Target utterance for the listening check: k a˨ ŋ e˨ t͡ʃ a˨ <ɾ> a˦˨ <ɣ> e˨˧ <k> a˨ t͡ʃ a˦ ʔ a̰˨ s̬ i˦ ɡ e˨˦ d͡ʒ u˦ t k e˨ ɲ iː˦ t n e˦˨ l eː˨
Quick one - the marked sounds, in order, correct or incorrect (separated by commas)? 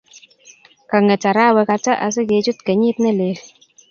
correct, incorrect, correct